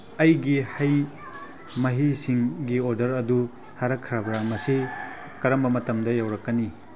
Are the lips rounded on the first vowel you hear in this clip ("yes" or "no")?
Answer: no